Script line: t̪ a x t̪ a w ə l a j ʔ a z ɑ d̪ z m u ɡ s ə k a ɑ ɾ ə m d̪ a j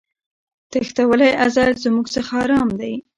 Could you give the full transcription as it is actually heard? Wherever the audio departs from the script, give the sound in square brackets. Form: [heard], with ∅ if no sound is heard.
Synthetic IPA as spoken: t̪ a x t̪ a w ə l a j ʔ a z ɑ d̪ z m u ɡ s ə [x] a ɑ ɾ [ɑ] m d̪ a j